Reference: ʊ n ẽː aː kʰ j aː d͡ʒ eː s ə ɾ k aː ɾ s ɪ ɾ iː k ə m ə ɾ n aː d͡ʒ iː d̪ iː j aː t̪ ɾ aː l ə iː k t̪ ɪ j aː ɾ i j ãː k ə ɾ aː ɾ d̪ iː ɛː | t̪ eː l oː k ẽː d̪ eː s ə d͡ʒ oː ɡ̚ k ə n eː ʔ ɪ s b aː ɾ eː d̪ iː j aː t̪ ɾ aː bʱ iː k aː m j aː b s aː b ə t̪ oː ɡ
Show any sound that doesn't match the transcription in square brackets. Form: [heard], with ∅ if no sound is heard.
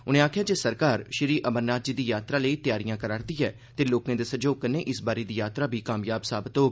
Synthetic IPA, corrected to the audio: ʊ n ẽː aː kʰ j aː d͡ʒ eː s ə ɾ k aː ɾ [ʃ] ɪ ɾ iː [ʔ] ə m ə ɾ n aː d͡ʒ iː d̪ iː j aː t̪ ɾ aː l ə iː [∅] t̪ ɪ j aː ɾ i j ãː k ə ɾ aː ɾ d̪ iː ɛː | t̪ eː l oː k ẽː d̪ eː s ə d͡ʒ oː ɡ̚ k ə n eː ʔ ɪ s b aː ɾ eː d̪ iː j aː t̪ ɾ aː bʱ iː k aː m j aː b s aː b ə t̪ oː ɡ